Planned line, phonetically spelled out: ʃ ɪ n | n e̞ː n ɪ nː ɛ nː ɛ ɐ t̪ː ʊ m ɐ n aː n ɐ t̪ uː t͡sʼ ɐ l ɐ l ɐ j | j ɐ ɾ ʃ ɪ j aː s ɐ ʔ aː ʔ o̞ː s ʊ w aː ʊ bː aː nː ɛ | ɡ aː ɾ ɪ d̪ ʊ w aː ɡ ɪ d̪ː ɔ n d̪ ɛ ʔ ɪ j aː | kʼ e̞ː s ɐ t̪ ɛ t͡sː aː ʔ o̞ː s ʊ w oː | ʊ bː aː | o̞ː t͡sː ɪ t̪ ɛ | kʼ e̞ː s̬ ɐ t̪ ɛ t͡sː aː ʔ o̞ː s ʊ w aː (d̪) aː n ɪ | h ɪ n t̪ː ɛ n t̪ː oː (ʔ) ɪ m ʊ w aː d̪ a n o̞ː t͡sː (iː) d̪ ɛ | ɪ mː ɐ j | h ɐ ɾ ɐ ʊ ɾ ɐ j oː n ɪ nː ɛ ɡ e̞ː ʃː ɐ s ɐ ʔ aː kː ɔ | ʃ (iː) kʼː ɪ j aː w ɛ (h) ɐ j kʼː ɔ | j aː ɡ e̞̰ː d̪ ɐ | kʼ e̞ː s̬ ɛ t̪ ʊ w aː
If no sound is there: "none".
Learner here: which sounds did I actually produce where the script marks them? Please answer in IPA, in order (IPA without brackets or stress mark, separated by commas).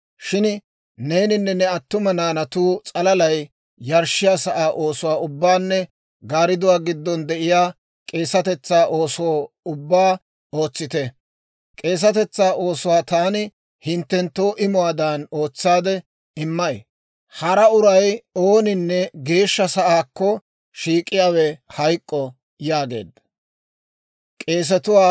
t̪, ʔ, aː, iː, h